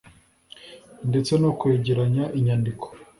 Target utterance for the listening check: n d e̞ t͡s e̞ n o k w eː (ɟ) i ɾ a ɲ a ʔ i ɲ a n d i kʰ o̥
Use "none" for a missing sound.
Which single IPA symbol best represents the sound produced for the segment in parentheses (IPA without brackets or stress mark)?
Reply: ɟ